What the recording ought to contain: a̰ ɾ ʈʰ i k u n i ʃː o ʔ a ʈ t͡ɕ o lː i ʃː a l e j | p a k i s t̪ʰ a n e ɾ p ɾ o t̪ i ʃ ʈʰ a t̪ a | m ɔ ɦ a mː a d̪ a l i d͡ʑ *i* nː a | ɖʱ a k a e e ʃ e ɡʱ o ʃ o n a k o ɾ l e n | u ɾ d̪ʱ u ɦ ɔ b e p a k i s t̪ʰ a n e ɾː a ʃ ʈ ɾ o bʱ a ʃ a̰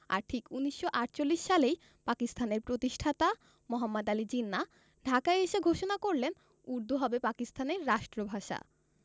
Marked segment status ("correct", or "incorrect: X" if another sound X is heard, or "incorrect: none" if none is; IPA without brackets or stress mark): correct